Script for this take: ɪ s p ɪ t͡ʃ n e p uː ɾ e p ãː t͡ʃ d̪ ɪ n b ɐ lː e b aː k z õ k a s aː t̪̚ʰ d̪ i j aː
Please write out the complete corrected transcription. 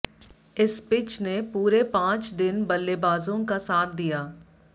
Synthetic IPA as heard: ɪ s p ɪ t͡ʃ n e p uː ɾ e p ãː t͡ʃ d̪ ɪ n b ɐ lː e b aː z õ k a s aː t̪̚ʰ d̪ i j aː